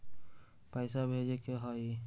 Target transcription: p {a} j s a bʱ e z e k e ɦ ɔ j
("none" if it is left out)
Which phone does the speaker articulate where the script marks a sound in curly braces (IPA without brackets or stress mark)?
a